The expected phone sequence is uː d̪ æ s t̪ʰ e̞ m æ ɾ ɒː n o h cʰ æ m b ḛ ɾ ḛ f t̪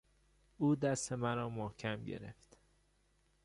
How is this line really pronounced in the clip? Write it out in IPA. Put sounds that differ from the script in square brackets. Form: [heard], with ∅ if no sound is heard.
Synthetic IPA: uː d̪ æ s [t̪] e̞ m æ ɾ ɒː [m] o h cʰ æ m [ɟ] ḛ ɾ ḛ f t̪